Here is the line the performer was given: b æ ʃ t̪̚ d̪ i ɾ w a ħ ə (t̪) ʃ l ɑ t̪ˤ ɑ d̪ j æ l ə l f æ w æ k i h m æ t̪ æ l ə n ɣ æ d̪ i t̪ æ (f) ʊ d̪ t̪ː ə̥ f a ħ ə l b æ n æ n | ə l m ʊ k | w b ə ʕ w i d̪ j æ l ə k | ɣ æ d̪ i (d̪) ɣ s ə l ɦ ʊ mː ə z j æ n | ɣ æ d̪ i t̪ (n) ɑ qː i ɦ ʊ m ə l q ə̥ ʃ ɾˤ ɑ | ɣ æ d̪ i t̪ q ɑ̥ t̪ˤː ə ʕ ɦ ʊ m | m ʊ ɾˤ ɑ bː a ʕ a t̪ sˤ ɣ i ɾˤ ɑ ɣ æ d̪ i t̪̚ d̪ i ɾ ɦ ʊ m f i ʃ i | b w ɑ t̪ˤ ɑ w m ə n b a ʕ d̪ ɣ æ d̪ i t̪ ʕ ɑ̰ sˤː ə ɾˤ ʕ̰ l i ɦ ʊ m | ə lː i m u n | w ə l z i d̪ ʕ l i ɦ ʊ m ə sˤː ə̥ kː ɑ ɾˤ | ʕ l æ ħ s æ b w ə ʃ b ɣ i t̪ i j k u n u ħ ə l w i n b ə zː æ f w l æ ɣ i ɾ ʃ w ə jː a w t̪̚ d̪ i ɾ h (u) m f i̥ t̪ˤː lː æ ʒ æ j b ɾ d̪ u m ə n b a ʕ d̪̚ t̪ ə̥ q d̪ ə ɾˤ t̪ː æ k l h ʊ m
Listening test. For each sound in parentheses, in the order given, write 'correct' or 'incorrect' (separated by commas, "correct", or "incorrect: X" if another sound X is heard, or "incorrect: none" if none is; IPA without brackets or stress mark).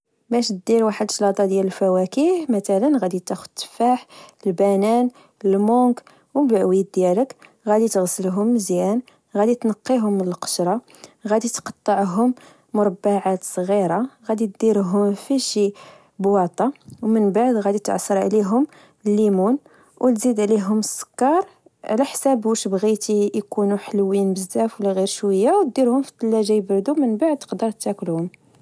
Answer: incorrect: d̪, incorrect: x, incorrect: t̪, correct, incorrect: ʊ